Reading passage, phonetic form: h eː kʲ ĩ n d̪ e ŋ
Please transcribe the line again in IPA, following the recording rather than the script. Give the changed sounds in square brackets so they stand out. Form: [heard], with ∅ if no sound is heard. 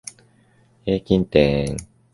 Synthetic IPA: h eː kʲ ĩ n [t̪] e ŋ